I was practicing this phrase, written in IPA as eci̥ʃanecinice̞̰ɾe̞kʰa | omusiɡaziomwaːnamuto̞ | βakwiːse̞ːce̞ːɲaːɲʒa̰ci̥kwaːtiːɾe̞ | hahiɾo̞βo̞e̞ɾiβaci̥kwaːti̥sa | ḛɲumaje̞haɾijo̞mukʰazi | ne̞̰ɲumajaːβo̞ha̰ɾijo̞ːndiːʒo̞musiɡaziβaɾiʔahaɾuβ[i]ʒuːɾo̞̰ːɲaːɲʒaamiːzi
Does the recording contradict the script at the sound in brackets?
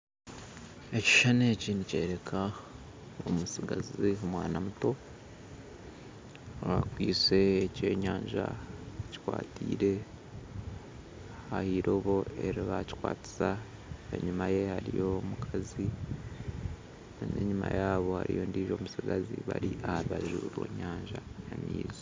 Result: yes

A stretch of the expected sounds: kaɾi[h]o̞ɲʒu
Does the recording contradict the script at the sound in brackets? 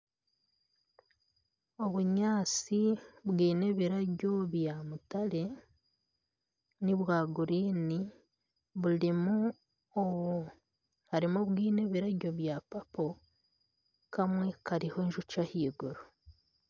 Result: no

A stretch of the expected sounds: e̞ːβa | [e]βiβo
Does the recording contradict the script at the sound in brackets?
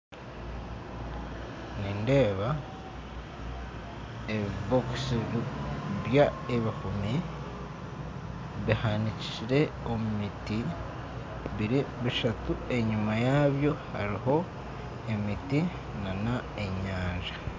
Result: no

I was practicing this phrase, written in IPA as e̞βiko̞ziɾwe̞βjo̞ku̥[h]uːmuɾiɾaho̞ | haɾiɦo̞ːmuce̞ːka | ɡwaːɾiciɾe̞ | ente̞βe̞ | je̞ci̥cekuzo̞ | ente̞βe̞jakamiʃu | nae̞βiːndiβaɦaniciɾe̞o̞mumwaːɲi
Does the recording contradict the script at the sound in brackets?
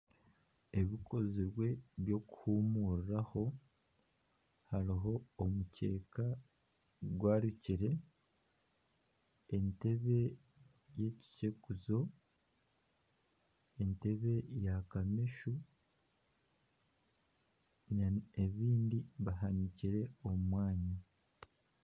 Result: no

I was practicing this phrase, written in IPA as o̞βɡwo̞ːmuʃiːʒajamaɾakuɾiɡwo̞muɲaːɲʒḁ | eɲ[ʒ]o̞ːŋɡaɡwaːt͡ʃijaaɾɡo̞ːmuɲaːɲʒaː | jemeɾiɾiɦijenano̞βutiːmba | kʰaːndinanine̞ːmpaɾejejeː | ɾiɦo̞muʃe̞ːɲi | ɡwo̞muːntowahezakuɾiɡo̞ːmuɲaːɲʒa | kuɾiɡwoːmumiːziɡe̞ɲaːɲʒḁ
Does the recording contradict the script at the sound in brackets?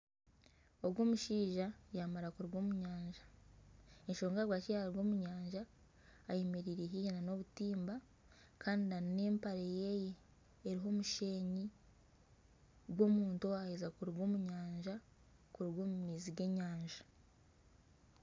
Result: yes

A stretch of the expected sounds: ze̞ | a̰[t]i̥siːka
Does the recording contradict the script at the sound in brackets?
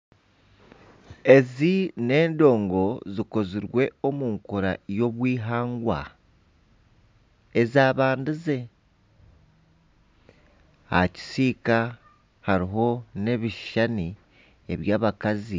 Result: yes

